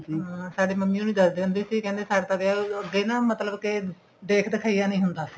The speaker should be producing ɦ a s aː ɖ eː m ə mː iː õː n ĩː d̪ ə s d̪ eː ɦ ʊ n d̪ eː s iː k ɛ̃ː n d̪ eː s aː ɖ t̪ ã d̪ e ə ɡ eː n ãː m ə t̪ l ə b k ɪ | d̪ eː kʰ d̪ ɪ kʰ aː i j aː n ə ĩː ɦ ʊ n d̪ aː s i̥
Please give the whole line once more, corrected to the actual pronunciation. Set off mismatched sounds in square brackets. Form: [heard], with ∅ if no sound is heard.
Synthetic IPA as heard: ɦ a s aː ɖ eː m ə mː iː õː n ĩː d̪ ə s d̪ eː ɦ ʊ n d̪ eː s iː k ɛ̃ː n d̪ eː s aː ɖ t̪ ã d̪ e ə ɡ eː n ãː m ə t̪ l ə b k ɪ | d̪ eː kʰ d̪ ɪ kʰ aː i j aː n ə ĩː ɦ ʊ n d̪ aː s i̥